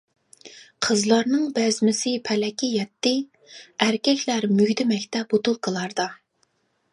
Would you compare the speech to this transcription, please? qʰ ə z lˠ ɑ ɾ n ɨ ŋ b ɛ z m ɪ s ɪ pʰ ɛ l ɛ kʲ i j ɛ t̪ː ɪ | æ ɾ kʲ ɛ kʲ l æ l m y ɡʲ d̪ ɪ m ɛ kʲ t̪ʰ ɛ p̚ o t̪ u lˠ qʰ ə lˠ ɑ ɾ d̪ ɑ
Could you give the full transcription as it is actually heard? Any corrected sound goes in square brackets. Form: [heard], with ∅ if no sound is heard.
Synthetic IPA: qʰ ə z lˠ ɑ ɾ n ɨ ŋ b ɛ z m ɪ s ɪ pʰ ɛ l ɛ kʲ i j ɛ t̪ː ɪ | æ ɾ kʲ ɛ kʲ l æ [ɾ] m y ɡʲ d̪ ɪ m ɛ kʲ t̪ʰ ɛ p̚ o t̪ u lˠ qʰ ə lˠ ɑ ɾ d̪ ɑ